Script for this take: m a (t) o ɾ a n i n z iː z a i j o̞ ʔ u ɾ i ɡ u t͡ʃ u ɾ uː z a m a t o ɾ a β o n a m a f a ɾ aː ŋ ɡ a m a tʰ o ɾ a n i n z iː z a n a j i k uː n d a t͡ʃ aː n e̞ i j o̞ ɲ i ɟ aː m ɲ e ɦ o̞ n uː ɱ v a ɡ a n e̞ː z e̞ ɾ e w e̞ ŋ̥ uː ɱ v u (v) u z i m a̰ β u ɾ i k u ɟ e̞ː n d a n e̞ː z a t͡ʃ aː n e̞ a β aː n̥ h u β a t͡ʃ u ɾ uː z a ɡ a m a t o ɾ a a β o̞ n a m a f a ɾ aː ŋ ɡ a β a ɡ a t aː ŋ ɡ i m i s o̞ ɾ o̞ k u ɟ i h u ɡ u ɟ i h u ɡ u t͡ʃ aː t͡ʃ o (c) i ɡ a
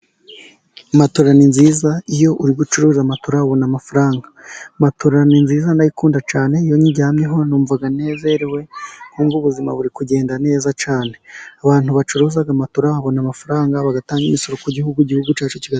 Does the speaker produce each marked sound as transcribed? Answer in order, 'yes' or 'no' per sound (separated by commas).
yes, no, yes